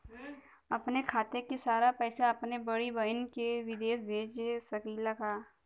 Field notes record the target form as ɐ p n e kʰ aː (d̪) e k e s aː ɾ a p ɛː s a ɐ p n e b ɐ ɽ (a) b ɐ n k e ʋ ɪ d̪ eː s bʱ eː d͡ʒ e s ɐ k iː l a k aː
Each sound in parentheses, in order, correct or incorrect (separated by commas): incorrect, incorrect